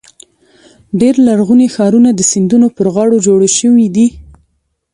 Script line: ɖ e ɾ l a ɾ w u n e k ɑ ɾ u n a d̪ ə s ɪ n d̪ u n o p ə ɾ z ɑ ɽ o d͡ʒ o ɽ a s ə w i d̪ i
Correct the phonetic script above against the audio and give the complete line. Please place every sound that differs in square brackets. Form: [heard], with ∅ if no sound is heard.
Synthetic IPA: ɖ e ɾ l a ɾ [ɣ] u n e [x] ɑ ɾ u n a d̪ ə s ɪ n d̪ u n o p ə ɾ [ɣ] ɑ ɽ o d͡ʒ o ɽ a [ʃ] ə w i d̪ i